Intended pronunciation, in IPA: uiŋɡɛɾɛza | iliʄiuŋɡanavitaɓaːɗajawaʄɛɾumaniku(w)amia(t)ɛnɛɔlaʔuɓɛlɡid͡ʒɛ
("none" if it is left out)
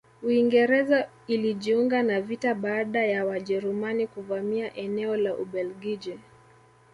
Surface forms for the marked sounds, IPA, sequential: v, ʔ

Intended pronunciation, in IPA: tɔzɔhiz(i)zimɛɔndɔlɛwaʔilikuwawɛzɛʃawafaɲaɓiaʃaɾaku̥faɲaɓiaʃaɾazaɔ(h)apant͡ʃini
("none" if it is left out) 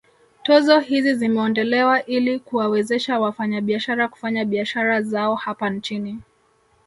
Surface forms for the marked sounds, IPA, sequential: i, h

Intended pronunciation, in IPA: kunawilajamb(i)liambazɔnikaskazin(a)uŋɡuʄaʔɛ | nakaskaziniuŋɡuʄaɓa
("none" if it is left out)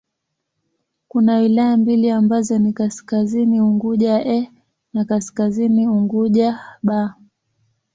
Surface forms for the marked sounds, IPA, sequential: i, i

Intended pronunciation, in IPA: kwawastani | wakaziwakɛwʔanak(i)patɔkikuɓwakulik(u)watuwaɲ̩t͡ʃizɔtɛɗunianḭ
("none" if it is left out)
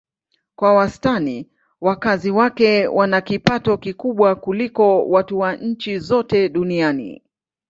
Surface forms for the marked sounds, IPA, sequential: i, ɔ

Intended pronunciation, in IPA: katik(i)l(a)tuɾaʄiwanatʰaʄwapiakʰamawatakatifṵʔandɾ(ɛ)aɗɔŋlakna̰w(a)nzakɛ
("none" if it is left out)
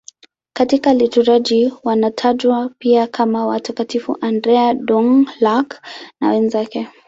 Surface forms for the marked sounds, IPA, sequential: a, i, ɛ, ɛ

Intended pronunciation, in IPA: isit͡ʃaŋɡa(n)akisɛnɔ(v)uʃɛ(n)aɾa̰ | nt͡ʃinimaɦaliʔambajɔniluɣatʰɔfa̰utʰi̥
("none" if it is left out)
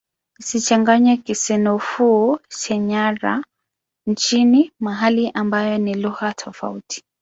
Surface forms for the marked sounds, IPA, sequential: ɲ, f, ɲ

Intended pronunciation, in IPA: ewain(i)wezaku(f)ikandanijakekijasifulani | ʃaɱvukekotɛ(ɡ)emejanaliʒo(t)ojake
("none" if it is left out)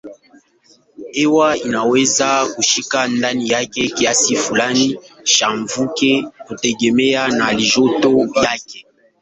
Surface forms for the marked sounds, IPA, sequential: a, ʃ, ɡ, t

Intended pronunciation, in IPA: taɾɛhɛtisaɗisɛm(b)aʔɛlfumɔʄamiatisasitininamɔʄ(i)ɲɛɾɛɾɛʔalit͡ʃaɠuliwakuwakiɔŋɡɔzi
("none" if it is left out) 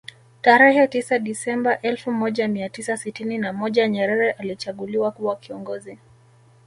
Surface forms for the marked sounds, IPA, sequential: b, a

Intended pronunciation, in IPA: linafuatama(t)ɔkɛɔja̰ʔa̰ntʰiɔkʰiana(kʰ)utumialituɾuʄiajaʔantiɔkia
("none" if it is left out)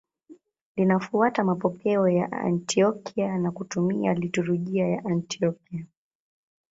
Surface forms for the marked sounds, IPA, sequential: p, k

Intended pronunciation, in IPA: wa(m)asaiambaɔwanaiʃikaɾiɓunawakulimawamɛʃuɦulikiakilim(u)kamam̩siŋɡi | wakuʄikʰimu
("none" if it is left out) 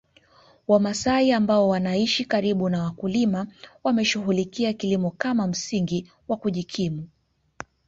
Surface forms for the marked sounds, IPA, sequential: m, ɔ

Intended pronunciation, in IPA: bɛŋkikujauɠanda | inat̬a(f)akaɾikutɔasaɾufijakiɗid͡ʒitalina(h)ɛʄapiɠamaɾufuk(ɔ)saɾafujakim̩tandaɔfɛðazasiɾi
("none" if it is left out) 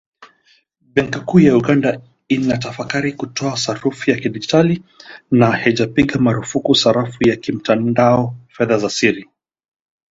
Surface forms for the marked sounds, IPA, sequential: f, h, u

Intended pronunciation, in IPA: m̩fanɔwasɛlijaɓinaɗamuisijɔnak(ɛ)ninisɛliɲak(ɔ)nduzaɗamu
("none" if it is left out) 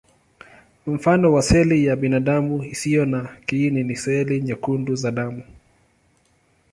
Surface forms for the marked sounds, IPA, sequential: i, u

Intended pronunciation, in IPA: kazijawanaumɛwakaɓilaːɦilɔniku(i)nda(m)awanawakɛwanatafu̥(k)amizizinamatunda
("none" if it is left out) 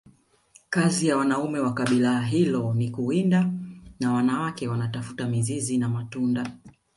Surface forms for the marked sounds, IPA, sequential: i, n, t

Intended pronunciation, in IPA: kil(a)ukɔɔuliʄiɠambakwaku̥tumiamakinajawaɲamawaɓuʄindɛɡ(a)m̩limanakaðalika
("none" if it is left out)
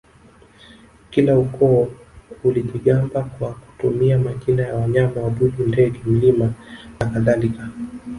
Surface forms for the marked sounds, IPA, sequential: a, ɛ

